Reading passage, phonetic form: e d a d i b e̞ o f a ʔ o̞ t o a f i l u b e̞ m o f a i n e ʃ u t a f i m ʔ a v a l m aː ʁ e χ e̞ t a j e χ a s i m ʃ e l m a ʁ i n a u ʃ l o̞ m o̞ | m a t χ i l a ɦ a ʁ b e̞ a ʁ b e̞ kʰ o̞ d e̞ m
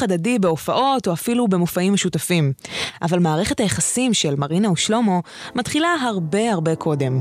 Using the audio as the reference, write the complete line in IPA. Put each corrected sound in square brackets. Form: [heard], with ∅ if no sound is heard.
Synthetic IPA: [a] d a d i b e̞ o f a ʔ o̞ t o a f i l u b e̞ m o f a i [m] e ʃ u t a f i m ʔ a v a l m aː ʁ e χ e̞ t a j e χ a s i m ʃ e l m a ʁ i n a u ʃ l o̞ m o̞ | m a t χ i l a ɦ a ʁ b e̞ a ʁ b e̞ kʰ o̞ d e̞ m